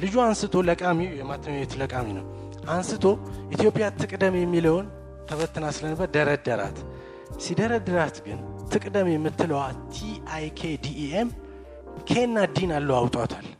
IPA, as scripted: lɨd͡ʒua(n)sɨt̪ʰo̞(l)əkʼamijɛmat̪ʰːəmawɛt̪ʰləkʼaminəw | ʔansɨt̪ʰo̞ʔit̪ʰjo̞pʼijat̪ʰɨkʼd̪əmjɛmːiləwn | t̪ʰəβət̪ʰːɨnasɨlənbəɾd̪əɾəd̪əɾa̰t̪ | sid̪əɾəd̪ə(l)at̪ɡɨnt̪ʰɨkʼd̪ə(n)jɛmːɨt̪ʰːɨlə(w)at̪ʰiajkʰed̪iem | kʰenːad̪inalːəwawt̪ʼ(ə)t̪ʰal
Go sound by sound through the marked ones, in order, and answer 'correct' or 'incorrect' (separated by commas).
correct, correct, incorrect, incorrect, correct, incorrect